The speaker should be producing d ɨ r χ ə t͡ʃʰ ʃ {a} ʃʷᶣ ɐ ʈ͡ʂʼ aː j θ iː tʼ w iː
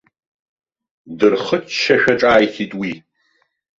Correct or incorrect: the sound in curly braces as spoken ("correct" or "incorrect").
incorrect